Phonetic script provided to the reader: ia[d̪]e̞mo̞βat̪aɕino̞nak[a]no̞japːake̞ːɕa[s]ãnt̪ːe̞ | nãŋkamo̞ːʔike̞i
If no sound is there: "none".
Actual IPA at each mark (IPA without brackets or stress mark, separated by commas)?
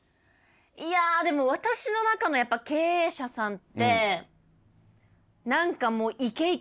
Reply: d̪, a, s